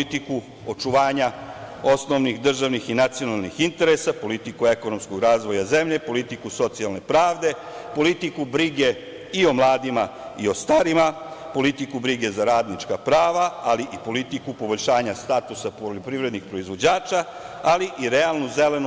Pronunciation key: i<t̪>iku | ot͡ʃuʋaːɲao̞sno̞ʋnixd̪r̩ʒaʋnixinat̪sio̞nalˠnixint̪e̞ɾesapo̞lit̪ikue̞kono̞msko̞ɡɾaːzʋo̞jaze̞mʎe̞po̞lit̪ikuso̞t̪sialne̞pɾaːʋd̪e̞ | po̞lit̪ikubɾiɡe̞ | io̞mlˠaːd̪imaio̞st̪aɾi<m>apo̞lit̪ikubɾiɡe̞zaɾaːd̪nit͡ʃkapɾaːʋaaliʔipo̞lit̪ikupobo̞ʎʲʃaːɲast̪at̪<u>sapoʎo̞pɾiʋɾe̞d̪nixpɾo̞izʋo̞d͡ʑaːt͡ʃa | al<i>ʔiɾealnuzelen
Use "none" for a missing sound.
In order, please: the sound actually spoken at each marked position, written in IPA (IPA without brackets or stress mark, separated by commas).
t̪, m, u, i